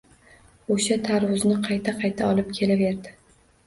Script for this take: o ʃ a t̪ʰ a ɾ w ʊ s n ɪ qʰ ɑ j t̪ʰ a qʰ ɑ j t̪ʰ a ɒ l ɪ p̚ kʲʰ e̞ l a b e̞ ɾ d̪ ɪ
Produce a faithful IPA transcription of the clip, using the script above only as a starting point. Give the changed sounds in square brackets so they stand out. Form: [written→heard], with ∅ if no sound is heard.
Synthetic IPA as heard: o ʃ a t̪ʰ a ɾ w ʊ [s→z] n ɪ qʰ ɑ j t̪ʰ a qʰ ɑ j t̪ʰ a ɒ l ɪ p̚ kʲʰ e̞ l a [b→v] e̞ ɾ d̪ ɪ